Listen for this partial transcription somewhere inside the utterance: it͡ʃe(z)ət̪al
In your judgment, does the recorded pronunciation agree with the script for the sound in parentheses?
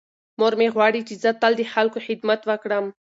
yes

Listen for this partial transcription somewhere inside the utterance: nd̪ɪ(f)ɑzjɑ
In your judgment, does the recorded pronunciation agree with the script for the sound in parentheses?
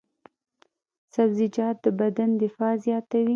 yes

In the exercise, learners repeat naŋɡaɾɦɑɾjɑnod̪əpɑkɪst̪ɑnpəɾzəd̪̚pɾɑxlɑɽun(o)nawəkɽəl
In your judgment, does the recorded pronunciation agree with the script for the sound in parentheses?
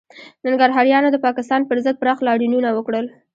no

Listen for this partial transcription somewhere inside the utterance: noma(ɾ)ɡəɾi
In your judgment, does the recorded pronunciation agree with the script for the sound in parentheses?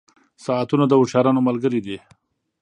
no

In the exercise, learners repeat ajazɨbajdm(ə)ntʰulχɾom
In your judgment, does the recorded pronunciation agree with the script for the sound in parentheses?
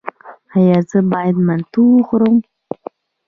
no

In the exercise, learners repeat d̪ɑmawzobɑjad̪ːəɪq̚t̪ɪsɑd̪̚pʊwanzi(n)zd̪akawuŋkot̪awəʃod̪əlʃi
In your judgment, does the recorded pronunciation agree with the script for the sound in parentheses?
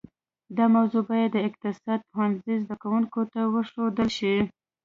no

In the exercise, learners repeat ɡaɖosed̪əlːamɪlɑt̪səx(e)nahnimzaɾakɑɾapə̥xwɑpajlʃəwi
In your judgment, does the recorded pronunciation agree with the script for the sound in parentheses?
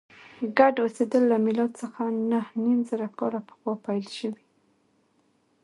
no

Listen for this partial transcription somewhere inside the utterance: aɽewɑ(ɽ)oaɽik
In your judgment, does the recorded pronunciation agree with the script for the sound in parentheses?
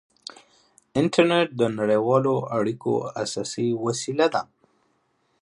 no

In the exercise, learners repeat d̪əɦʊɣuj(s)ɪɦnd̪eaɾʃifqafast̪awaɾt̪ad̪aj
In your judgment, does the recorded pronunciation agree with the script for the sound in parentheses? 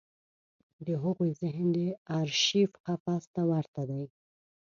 no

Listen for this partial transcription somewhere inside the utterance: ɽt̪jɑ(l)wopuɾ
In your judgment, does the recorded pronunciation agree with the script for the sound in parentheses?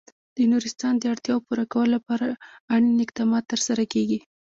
no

